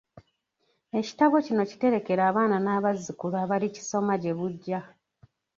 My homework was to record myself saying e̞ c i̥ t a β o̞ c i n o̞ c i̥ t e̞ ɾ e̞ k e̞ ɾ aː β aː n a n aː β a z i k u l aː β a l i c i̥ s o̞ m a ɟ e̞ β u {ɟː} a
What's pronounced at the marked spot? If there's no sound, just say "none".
ɟː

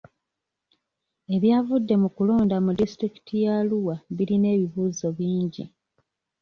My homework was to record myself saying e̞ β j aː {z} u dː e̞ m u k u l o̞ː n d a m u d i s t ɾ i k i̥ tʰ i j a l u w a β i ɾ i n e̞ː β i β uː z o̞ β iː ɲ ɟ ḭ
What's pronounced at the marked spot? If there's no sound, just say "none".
v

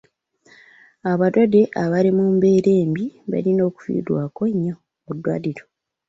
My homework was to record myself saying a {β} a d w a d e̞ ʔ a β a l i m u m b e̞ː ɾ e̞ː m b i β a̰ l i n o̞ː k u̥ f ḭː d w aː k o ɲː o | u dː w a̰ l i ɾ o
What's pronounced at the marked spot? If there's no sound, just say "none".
β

